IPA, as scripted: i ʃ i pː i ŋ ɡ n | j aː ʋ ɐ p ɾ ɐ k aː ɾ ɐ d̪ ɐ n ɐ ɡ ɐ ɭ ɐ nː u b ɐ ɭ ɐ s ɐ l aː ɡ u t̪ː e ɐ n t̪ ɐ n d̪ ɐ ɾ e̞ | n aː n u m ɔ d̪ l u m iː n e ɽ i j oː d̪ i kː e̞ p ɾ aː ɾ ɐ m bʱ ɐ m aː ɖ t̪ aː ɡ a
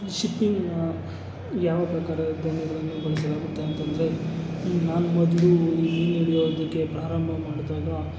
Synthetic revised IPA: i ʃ i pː i ŋ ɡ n | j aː ʋ ɐ p ɾ ɐ k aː ɾ ɐ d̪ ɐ n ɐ ɡ ɐ ɭ ɐ nː u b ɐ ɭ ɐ s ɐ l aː ɡ u t̪ː e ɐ n t̪ ɐ n d̪ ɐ ɾ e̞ | n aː n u m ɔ d̪ l u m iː n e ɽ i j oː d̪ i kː e̞ p ɾ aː ɾ ɐ m bʱ ɐ m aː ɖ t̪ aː ɡ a